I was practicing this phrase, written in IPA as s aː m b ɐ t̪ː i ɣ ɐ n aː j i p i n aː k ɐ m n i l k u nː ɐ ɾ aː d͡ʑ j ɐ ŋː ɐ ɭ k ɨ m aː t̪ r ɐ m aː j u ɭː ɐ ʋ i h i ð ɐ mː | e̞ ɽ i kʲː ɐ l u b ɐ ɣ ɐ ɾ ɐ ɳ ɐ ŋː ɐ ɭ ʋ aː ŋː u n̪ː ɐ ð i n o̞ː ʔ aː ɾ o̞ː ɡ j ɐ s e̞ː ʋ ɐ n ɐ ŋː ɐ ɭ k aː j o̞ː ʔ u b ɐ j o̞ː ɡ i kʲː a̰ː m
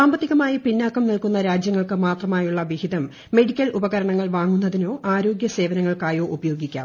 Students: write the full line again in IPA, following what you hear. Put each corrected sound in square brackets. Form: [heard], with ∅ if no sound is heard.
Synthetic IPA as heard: s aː m b ɐ t̪ː i ɣ ɐ [m] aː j i p i [nː] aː k ɐ m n i l k u nː ɐ ɾ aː d͡ʑ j ɐ ŋː ɐ ɭ k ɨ m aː t̪ r ɐ m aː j u ɭː ɐ ʋ i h i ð ɐ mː | e̞ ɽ i kʲː ɐ l u b ɐ ɣ ɐ ɾ ɐ ɳ ɐ ŋː ɐ ɭ ʋ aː ŋː u n̪ː ɐ ð i n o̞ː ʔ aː ɾ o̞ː ɡ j ɐ s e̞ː ʋ ɐ n ɐ ŋː ɐ ɭ k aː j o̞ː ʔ u b ɐ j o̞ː ɡ i kʲː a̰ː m